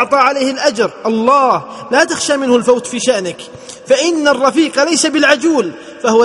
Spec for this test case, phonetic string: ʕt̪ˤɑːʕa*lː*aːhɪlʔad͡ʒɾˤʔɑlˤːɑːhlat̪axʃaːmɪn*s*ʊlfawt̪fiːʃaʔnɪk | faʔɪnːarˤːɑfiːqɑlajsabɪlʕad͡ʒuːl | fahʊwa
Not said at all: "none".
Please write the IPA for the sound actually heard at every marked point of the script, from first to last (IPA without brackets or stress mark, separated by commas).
l, h